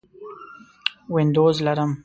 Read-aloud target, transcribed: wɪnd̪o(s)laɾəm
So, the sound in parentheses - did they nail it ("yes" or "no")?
no